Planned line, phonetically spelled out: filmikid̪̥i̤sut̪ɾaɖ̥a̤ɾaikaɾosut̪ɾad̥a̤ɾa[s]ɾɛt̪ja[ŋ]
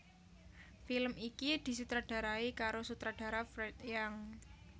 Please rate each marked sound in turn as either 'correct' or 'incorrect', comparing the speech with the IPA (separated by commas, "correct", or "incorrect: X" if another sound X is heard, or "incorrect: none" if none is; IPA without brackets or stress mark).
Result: incorrect: f, correct